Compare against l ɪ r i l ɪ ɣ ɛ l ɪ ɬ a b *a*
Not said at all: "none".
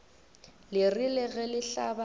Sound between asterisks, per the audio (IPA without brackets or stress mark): a